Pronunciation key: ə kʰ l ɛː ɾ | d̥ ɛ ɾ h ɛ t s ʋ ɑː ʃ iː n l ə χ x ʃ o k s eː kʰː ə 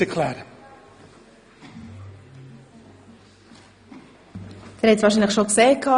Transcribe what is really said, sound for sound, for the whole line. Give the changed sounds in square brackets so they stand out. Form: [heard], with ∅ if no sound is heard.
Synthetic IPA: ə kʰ l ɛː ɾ | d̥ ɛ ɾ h ɛ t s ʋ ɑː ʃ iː n l ə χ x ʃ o k s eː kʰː [ɑ]